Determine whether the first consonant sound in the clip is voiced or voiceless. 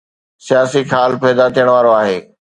voiceless